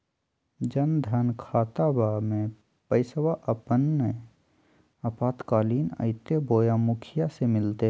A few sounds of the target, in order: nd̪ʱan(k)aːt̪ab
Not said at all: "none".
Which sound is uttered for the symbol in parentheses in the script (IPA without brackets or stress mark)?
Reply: kʰ